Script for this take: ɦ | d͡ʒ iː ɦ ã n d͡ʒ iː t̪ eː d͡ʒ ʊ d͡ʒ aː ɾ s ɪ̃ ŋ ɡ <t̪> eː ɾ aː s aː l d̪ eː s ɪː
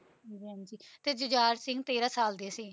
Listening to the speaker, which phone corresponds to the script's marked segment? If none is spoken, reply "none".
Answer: t̪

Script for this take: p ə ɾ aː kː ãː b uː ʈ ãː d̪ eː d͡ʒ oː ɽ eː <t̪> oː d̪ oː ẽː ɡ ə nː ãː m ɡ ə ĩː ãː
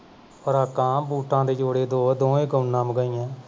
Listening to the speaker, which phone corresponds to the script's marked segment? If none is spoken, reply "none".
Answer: d̪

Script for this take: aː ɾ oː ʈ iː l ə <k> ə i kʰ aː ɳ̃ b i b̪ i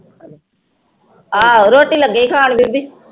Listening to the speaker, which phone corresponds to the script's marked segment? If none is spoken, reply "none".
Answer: ɡ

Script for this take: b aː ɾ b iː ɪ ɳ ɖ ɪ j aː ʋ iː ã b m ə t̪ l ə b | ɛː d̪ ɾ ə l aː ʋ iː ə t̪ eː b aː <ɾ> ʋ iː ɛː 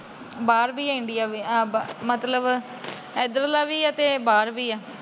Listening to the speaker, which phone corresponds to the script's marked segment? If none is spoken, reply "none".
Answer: ɾ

